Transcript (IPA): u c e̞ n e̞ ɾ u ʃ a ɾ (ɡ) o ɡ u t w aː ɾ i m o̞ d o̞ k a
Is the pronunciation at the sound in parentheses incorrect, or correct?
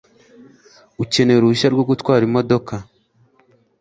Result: correct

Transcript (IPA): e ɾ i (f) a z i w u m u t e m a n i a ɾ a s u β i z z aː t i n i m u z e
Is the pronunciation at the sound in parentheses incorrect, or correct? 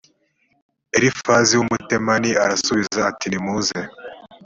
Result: correct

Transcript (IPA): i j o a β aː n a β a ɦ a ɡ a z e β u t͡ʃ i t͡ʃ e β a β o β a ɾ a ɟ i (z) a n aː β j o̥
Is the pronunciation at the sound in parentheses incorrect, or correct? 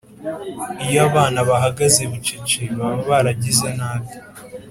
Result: correct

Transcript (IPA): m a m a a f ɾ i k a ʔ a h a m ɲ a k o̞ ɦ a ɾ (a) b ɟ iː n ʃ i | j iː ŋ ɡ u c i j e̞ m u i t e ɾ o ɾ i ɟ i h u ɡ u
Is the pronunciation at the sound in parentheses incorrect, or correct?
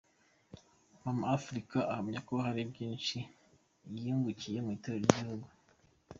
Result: incorrect: i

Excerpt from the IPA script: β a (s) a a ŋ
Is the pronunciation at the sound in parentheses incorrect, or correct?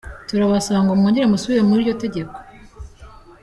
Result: correct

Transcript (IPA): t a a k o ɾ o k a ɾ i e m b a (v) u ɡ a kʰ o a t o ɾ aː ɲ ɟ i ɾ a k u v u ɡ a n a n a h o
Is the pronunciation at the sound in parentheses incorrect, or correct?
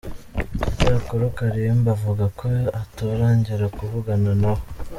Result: correct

